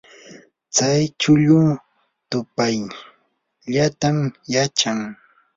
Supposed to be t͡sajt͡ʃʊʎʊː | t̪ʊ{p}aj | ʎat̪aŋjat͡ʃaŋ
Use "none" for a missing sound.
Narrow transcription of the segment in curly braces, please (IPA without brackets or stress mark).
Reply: p